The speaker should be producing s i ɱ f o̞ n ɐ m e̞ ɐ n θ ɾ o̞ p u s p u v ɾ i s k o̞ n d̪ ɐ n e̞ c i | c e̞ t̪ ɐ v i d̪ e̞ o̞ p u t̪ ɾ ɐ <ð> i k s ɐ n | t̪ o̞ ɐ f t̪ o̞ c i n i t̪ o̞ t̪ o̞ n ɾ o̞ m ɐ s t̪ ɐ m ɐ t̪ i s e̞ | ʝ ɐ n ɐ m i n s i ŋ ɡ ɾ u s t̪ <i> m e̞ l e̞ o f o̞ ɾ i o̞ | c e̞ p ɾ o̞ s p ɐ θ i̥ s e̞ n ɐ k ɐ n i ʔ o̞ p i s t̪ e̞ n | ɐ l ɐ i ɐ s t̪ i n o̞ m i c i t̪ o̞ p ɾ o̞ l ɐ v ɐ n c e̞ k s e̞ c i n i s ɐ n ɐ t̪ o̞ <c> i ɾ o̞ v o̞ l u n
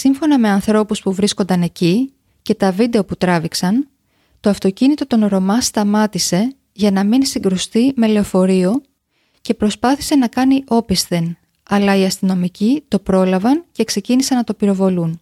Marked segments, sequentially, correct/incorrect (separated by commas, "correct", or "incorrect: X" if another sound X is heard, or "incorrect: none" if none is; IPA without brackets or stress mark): incorrect: v, correct, incorrect: p